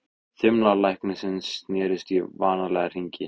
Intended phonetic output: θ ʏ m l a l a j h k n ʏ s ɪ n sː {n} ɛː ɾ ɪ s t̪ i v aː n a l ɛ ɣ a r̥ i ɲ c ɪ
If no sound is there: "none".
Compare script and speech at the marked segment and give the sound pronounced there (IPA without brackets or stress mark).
n